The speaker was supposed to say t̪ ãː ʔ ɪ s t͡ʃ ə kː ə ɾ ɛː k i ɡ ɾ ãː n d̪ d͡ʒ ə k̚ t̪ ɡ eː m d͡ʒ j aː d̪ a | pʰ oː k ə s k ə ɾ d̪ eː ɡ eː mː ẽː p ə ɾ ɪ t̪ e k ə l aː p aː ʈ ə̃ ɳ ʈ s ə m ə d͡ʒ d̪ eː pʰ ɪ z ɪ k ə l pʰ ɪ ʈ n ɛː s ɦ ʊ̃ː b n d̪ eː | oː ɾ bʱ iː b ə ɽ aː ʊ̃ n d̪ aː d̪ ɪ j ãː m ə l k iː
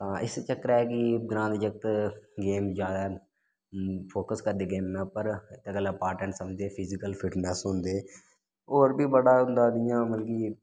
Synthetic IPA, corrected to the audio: t̪ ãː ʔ ɪ s t͡ʃ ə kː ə ɾ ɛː k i ɡ ɾ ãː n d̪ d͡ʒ ə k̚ t̪ ɡ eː m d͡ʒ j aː d̪ a | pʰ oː k ə s k ə ɾ d̪ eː ɡ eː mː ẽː p ə ɾ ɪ t̪ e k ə l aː p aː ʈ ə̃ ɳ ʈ s ə m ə d͡ʒ d̪ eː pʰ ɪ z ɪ k ə l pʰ ɪ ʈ n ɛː s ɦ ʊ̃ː n d̪ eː | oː ɾ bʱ iː b ə ɽ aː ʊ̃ n d̪ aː d̪ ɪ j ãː m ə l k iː